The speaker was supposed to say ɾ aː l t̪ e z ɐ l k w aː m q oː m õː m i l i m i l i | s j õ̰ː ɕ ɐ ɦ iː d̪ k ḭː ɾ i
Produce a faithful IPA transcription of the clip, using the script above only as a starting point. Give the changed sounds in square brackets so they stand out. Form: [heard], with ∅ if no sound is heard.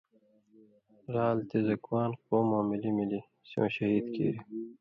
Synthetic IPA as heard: ɾ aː l t̪ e z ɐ [∅] k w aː [n] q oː m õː m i l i m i l i | s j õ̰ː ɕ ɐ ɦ iː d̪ k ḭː ɾ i

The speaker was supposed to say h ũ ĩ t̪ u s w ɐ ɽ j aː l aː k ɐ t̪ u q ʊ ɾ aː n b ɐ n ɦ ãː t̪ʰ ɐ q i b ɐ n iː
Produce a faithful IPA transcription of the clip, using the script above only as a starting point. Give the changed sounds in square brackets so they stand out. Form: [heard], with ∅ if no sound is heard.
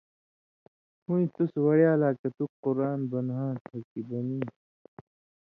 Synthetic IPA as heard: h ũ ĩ t̪ u s w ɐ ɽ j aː l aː k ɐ t̪ u q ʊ ɾ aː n b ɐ n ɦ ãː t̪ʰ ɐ [k] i b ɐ n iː

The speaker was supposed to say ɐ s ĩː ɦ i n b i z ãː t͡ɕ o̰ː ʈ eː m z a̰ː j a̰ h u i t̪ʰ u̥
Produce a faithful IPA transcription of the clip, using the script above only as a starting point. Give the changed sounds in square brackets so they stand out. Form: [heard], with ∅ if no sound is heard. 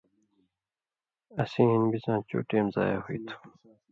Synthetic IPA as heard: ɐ s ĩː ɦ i n b i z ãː t͡ɕ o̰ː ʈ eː m z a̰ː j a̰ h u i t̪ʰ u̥

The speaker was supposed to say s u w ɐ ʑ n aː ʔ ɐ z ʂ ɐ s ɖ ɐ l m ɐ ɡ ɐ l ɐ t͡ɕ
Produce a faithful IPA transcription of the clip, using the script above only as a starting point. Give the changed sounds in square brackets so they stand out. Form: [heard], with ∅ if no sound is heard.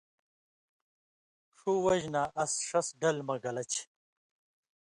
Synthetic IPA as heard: [ʂ] u w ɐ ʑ n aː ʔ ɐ [s] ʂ ɐ s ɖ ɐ l m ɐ ɡ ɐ l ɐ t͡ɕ

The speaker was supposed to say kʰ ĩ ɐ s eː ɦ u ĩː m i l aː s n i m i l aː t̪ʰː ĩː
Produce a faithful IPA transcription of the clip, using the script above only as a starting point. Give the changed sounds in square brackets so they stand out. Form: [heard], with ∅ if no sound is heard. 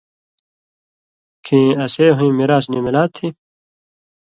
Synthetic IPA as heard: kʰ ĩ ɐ s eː ɦ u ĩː m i [ɾ] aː s n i m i l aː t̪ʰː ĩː

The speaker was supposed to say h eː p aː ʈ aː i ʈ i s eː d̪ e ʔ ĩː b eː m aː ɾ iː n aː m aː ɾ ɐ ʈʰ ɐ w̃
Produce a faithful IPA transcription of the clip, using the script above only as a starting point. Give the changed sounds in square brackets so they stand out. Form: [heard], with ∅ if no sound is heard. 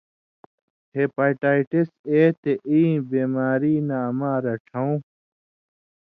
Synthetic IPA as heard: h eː p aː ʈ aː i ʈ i s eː [t̪] e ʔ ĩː b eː m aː ɾ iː n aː m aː ɾ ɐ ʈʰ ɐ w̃

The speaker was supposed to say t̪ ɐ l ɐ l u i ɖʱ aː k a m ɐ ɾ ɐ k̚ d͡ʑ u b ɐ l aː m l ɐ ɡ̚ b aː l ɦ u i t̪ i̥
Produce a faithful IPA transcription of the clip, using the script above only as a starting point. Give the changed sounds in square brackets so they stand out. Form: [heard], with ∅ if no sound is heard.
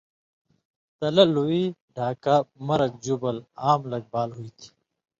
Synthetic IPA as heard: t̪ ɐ l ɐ l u i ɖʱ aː k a m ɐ ɾ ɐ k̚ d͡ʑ u b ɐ l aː m l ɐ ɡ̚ b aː l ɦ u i [t̪ʰ] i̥

